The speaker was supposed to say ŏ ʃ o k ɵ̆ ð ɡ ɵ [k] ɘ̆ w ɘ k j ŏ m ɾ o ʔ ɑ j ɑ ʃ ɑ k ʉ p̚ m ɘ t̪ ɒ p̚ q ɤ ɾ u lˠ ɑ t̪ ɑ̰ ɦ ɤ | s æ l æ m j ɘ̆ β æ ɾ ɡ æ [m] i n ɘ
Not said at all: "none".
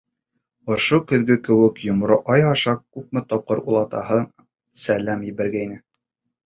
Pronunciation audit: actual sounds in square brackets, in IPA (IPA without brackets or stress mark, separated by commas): k, none